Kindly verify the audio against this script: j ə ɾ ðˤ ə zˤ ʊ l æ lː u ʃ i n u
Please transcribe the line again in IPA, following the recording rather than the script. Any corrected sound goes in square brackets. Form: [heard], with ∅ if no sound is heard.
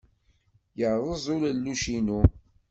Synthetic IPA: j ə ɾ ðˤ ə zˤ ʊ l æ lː u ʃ i n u